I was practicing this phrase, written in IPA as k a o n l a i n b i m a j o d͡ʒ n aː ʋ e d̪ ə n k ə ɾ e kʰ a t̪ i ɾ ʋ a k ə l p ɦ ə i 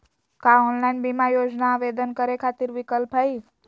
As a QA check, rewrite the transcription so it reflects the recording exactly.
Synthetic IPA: k a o n l a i n b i m a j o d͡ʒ n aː ʋ e d̪ ə n k ə ɾ e kʰ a t̪ i ɾ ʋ i k ə l p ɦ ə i